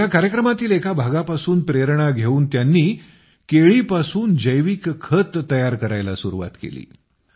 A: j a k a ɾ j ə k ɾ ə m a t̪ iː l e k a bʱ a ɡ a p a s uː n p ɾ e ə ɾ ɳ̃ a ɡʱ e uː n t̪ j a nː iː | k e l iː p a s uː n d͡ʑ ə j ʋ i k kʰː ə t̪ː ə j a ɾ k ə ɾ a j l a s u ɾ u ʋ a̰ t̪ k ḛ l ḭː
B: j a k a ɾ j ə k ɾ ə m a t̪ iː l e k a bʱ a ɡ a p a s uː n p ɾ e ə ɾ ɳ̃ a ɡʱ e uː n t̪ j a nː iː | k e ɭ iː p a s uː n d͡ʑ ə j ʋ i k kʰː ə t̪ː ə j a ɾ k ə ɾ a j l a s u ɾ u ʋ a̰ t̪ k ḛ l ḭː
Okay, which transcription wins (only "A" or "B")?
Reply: B